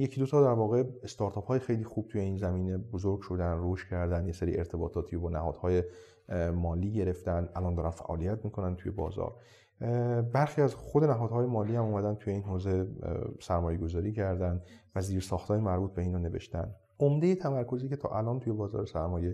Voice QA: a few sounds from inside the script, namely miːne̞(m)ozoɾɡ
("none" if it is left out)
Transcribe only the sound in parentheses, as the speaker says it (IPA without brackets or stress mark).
b